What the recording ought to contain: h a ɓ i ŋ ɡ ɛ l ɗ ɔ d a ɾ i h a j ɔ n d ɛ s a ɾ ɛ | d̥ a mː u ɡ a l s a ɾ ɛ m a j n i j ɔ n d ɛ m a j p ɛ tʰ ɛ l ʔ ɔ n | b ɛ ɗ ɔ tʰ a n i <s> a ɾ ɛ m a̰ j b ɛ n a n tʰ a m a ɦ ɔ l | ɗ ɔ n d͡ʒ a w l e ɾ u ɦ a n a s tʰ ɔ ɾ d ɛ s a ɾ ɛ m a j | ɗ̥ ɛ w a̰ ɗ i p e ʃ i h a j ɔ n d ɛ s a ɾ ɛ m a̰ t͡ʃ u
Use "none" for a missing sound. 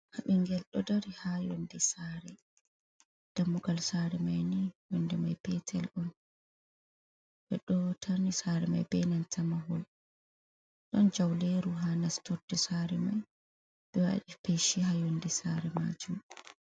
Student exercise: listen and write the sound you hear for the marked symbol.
s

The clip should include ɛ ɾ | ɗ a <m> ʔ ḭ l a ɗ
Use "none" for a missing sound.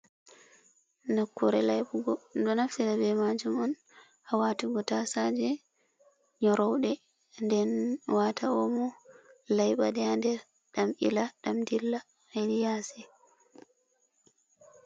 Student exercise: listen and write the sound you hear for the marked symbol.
m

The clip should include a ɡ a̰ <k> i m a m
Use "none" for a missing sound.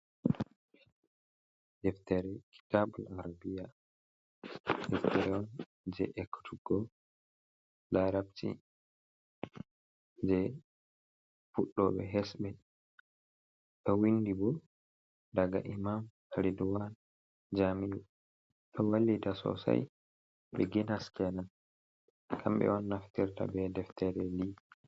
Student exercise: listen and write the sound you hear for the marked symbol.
ʔ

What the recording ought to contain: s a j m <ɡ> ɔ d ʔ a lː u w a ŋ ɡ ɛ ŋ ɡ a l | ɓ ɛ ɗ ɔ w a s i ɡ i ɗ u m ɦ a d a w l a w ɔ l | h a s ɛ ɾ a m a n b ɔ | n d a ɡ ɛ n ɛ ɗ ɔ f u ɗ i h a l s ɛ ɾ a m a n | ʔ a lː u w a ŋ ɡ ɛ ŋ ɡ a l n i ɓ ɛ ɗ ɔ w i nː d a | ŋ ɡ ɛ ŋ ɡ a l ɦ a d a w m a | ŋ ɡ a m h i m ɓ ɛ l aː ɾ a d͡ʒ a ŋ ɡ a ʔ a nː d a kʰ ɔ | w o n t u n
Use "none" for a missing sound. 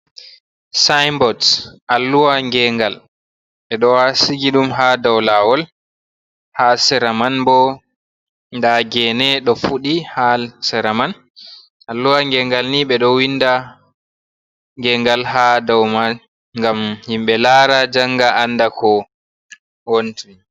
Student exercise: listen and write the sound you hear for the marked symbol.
b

